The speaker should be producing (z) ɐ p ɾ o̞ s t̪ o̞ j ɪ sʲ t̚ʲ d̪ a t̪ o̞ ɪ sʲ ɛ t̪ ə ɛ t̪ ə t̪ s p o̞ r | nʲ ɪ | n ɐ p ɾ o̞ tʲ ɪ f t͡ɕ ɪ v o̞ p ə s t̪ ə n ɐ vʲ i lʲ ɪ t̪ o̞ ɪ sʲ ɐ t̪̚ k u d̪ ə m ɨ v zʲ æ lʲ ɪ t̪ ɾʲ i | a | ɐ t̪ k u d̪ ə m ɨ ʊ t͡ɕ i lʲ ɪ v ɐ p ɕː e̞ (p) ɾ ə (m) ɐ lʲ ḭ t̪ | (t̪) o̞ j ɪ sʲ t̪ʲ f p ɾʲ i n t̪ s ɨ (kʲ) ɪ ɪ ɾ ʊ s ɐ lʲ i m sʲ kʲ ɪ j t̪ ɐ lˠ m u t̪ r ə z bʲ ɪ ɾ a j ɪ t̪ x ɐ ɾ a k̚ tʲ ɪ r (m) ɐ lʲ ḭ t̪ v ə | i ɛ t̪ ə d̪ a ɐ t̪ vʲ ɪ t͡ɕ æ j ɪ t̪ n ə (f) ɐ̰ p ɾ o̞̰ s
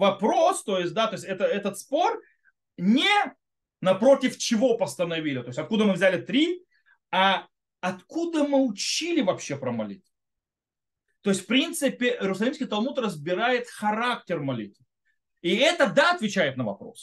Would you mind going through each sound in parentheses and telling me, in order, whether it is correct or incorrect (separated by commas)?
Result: incorrect, correct, correct, correct, incorrect, correct, incorrect